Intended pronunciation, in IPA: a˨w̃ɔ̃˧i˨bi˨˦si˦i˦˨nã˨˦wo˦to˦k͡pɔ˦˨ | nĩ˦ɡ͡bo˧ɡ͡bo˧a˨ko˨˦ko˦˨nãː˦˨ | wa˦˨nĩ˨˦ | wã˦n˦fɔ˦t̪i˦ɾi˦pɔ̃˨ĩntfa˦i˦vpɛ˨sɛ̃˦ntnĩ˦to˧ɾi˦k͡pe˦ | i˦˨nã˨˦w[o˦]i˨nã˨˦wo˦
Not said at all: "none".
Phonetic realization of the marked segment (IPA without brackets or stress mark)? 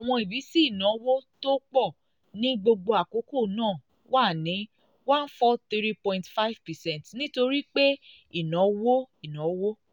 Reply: o˦